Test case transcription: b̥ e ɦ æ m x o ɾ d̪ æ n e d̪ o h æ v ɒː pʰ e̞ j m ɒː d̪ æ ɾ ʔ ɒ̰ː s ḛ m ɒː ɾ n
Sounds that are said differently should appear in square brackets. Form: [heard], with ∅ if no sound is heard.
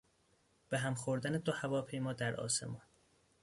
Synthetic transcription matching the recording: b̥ e ɦ æ m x o ɾ d̪ æ n e d̪ o h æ v ɒː pʰ e̞ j m ɒː d̪ æ ɾ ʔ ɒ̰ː s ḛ m ɒː [∅] n